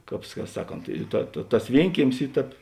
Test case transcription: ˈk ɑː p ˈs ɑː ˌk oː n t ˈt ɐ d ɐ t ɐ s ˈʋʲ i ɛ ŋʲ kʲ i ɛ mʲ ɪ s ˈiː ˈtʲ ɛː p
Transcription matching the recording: ˈk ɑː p ˈs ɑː ˌk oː n t ˈt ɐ t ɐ t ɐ s ˈʋʲ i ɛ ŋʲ kʲ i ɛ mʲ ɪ s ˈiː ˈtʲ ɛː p